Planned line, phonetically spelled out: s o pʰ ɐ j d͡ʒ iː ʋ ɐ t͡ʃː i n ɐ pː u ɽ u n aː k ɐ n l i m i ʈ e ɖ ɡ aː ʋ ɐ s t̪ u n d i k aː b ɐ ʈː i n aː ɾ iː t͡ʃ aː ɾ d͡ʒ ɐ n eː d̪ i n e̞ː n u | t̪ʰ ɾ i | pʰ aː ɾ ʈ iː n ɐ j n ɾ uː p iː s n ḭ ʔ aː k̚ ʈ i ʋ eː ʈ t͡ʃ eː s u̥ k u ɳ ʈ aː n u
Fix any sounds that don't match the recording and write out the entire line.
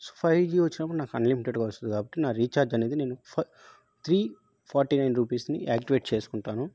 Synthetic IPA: s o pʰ ɐ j d͡ʒ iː ʋ ɐ t͡ʃː i n ɐ pː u ɽ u n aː k ɐ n l i m i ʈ e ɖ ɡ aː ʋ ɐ s t̪ u n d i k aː b ɐ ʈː i n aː ɾ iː t͡ʃ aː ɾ d͡ʒ ɐ n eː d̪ i n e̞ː n u | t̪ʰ ɾ iː | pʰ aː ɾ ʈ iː n ɐ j n ɾ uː p iː s n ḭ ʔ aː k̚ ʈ i ʋ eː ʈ t͡ʃ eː s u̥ k u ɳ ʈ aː n u